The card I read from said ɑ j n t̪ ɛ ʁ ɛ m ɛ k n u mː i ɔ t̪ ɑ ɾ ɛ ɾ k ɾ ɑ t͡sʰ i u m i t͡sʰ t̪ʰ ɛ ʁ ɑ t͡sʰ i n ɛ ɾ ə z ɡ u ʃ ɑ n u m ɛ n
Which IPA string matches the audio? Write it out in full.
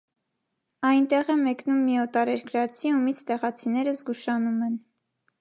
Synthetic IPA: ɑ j n t̪ ɛ ʁ ɛ m ɛ k n u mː i ɔ t̪ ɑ ɾ ɛ ɾ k ɾ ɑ t͡sʰ i u m i t͡sʰ t̪ ɛ ʁ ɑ t͡sʰ i n ɛ ɾ ə z ɡ u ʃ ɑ n u m ɛ n